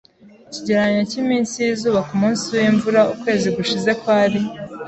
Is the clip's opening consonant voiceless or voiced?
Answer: voiceless